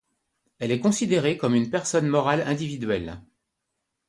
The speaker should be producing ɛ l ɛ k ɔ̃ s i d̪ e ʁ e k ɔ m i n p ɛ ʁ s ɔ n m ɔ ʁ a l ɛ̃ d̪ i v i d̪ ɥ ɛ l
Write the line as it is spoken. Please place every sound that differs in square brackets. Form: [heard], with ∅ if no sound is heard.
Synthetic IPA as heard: ɛ l ɛ k ɔ̃ s i d̪ e ʁ e k ɔ m [y] n p ɛ ʁ s ɔ n m ɔ ʁ a l ɛ̃ d̪ i v i d̪ ɥ ɛ l